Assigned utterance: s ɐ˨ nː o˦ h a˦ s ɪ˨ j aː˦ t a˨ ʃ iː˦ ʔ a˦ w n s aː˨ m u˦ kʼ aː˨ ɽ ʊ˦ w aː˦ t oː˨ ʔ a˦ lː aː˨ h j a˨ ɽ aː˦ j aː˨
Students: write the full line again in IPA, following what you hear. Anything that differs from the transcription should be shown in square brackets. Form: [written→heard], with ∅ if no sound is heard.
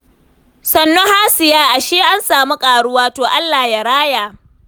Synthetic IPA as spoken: s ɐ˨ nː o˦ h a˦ s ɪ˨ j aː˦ [t→ʔ] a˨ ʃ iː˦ ʔ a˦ [w→∅] n s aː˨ m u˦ kʼ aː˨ ɽ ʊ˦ w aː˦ t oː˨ ʔ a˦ lː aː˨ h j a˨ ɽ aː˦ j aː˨

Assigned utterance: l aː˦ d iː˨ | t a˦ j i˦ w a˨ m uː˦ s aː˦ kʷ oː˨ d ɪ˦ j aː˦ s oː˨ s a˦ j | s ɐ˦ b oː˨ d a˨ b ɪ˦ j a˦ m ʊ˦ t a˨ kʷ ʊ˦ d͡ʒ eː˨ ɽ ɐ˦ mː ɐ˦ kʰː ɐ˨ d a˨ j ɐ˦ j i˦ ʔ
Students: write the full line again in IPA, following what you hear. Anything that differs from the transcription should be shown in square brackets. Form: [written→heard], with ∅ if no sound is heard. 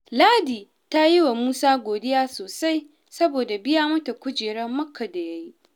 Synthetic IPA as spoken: l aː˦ d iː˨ | t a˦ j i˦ w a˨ m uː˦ s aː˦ [kʷ→ɡʷ] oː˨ d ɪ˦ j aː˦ s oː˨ s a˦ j | s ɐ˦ b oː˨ d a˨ b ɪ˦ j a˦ m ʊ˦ t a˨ kʷ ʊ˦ d͡ʒ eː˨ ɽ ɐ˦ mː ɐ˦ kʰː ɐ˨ d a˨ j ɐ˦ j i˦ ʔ

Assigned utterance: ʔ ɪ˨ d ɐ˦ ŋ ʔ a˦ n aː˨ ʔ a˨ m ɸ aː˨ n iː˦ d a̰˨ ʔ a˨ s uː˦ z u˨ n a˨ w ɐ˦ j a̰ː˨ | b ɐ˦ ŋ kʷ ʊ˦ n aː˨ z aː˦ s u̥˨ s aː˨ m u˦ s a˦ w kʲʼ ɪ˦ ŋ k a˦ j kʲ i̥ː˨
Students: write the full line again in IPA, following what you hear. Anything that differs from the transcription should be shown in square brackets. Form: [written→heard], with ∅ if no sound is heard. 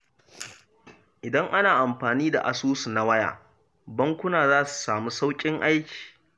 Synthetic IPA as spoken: ʔ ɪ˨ d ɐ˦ ŋ ʔ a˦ n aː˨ ʔ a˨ m ɸ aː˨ n iː˦ d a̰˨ ʔ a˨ s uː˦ [z→s] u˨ n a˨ w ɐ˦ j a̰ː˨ | b ɐ˦ ŋ kʷ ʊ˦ n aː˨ z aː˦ s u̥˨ s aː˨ m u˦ s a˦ w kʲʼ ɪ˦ ŋ [k→ʔ] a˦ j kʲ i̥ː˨

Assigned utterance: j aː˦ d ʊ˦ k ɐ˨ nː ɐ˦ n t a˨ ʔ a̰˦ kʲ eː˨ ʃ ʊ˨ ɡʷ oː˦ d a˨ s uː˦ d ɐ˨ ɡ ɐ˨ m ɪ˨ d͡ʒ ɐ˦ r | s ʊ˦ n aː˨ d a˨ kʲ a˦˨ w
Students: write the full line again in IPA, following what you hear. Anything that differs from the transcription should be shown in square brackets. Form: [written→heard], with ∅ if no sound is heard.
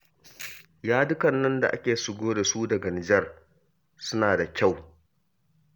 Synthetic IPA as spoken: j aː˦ d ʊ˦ k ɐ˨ nː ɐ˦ n [t→d] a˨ ʔ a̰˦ kʲ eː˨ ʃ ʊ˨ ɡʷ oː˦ d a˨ s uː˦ d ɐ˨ ɡ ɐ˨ [m→n] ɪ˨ d͡ʒ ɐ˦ r | s ʊ˦ n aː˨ d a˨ kʲ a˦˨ w

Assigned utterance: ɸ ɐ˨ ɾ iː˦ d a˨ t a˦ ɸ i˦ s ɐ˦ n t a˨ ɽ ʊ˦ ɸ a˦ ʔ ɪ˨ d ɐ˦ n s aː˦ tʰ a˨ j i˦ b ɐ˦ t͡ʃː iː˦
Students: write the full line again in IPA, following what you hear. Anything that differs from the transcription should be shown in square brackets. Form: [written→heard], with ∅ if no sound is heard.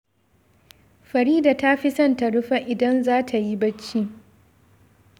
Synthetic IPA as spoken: ɸ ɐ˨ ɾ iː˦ d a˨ t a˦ ɸ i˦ s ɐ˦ n t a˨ ɽ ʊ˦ ɸ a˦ ʔ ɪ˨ d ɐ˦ n [s→z] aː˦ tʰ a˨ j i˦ b ɐ˦ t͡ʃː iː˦

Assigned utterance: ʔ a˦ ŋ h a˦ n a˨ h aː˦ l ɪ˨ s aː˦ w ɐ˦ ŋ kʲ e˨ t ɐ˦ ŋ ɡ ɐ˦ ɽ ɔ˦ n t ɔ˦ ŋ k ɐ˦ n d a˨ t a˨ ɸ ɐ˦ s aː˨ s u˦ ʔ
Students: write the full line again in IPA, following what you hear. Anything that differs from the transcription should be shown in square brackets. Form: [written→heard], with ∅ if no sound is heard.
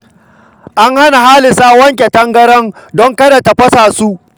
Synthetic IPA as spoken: ʔ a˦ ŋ h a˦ n a˨ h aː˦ l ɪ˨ s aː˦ w ɐ˦ ŋ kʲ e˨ t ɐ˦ ŋ ɡ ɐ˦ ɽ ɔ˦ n [t→d] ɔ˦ ŋ k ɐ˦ [n→∅] d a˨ t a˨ ɸ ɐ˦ s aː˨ s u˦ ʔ

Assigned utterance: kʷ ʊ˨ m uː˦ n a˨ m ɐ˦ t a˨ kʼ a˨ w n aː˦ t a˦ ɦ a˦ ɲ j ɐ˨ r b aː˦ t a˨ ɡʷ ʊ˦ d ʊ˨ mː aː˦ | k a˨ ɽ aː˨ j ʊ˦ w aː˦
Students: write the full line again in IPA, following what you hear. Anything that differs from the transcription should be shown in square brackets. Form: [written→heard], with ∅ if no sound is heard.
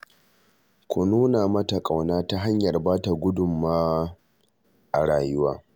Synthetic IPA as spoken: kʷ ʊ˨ [m→n] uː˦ n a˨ m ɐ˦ t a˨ kʼ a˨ w n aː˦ t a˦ ɦ a˦ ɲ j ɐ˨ r b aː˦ t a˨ ɡʷ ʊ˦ d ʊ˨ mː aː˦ | [k→ʔ] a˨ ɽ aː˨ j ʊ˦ w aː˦

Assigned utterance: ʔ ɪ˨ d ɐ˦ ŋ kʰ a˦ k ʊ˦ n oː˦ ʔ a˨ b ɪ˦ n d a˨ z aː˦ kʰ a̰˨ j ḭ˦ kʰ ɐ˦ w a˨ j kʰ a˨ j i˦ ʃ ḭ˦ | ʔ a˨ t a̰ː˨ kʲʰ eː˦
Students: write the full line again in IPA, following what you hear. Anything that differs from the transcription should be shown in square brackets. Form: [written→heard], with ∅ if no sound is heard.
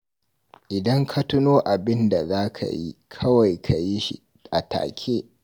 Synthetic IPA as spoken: ʔ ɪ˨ d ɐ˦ ŋ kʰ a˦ [k→t] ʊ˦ n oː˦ ʔ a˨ b ɪ˦ n d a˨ z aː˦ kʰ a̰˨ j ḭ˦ kʰ ɐ˦ w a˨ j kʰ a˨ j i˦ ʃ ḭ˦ | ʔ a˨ t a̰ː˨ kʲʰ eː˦

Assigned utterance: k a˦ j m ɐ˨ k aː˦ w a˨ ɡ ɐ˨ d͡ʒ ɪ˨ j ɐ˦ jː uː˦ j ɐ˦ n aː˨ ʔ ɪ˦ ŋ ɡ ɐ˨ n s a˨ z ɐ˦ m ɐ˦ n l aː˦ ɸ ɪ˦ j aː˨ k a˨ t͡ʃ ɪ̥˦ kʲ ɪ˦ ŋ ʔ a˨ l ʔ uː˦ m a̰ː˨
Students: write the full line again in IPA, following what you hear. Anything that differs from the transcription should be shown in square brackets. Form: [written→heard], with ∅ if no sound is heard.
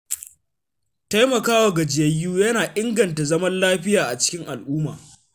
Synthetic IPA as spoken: [k→t] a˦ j m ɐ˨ k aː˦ w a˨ ɡ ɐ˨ d͡ʒ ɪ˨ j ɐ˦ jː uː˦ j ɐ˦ n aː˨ ʔ ɪ˦ ŋ ɡ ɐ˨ n [s→t] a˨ z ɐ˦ m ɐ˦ n l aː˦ ɸ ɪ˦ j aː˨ [k→ʔ] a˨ t͡ʃ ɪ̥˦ kʲ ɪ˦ ŋ ʔ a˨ l ʔ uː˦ m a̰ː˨

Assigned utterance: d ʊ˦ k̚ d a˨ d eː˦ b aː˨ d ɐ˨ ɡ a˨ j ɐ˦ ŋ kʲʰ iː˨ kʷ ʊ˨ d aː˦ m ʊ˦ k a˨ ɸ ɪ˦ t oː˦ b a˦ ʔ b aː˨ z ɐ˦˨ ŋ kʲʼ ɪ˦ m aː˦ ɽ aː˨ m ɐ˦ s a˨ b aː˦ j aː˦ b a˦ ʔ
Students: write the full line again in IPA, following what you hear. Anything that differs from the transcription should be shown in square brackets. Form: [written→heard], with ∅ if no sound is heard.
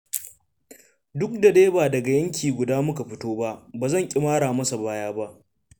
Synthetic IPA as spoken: d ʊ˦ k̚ d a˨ d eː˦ b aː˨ d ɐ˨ ɡ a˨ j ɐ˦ ŋ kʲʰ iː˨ [kʷ→ɡʷ] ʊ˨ d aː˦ m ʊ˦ k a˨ ɸ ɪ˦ t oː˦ b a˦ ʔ b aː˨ z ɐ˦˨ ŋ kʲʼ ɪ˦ m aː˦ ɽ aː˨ m ɐ˦ s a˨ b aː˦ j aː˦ b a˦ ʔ

